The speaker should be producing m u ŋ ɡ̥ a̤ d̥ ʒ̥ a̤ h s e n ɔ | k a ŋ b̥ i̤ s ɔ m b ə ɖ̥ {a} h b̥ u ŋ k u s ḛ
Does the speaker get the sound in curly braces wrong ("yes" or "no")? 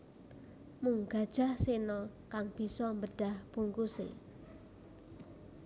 no